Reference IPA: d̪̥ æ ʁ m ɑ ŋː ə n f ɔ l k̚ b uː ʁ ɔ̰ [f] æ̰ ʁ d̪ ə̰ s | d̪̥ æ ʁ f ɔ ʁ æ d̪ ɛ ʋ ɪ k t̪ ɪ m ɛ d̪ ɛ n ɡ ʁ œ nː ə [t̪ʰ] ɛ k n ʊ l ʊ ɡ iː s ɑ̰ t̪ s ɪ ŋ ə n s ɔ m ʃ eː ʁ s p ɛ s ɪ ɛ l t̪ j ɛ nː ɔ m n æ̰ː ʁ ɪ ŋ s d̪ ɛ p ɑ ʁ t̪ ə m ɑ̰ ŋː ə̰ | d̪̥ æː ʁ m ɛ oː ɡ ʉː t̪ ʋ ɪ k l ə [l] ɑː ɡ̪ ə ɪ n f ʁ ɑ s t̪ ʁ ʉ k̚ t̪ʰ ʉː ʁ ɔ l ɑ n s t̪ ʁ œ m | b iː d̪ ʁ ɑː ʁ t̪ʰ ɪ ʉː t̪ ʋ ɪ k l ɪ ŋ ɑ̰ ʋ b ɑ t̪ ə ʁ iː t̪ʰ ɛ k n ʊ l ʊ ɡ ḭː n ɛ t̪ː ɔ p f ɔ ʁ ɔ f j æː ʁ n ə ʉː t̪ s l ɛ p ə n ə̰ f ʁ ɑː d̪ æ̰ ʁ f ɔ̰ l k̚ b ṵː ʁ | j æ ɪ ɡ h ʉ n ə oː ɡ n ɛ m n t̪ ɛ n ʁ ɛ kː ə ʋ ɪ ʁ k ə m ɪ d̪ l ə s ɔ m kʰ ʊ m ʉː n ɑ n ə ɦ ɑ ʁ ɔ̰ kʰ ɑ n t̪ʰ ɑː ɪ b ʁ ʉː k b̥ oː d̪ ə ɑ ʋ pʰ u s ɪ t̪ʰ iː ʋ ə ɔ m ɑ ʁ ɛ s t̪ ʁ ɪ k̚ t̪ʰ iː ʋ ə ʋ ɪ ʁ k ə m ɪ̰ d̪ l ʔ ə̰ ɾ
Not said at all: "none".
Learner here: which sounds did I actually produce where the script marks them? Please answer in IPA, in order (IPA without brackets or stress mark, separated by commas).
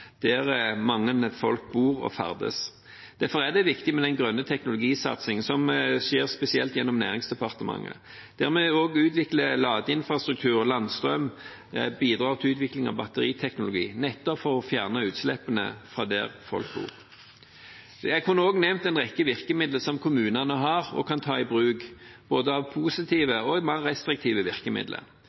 f, t̪ʰ, l